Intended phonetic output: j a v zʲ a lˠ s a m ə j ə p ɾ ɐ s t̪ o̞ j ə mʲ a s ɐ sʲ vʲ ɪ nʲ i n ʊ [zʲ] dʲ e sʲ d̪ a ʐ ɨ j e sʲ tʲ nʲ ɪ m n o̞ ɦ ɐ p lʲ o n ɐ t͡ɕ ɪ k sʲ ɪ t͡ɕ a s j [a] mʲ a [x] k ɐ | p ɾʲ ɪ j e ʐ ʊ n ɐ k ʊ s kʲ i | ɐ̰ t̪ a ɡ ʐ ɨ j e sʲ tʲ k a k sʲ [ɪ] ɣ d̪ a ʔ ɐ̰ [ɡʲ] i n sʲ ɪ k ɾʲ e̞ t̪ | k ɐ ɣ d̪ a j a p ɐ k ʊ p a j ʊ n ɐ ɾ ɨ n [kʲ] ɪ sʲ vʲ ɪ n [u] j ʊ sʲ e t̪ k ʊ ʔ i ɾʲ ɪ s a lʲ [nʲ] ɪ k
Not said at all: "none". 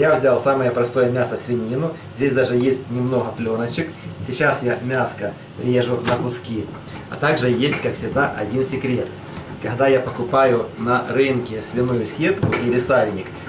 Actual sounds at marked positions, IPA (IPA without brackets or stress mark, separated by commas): zʲ, a, s, ɪ, dʲ, kʲ, u, nʲ